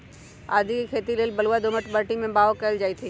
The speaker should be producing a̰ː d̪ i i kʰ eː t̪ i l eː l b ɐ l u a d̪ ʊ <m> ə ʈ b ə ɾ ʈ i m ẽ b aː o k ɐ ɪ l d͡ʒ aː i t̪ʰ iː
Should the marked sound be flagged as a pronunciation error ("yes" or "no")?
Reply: no